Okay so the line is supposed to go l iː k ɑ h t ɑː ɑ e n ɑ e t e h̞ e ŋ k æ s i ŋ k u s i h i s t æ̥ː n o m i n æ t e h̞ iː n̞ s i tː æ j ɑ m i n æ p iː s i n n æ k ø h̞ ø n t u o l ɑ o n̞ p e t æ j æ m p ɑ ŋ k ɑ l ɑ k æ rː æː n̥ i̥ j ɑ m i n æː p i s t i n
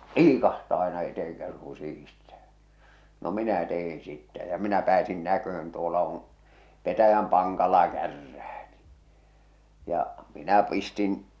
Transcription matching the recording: l iː k ɑ h t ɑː ɑ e n ɑ e t e h̞ e ŋ k æ s i ŋ k u s i h i s t æ̥ː n o m i n æ t e h̞ i n̞ s i tː æ j ɑ m i n æ p æː s i n n æ k ø h̞ ø n t u o l ɑ o n̞ p e t æ j æ m p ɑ ŋ k ɑ l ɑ k æ rː æː n̥ i̥ j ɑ m i n æ p i s t i n